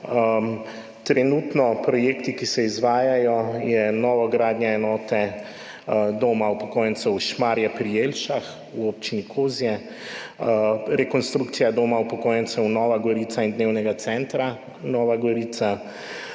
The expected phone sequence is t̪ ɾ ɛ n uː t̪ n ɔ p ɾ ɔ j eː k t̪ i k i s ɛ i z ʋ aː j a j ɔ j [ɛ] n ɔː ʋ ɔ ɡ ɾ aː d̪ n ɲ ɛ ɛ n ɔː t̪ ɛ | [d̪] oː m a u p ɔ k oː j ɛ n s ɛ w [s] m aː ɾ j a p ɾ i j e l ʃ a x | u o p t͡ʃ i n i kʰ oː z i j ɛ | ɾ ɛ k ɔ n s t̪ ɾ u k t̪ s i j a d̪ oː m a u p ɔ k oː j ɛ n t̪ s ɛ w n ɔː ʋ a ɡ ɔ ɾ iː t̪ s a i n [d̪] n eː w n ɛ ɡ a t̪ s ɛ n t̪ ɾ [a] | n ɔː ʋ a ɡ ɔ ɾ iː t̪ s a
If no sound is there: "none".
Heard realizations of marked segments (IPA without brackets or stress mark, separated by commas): ɛ, d̪, ʃ, d̪, a